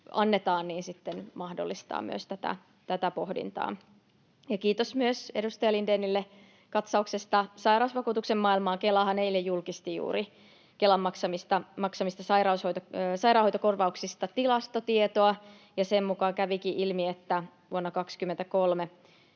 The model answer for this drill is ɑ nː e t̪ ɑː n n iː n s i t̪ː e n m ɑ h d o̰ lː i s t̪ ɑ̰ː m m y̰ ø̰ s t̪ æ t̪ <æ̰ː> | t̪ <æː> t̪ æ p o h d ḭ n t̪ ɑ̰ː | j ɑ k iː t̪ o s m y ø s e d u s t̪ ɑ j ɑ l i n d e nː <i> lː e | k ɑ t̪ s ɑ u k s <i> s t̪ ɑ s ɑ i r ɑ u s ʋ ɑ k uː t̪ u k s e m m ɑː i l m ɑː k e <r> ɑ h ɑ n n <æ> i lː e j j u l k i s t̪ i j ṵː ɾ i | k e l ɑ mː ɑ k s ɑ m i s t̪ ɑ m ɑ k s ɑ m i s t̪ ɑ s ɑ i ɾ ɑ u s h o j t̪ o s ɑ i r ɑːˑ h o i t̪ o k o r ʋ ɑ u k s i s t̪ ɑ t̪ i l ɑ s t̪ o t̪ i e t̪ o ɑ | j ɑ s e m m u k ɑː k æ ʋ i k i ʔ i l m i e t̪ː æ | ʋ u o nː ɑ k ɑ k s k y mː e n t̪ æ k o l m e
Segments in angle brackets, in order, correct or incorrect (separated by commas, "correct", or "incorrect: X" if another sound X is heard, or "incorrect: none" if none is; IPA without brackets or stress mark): incorrect: æ̰, incorrect: æ, correct, incorrect: e, incorrect: l, incorrect: e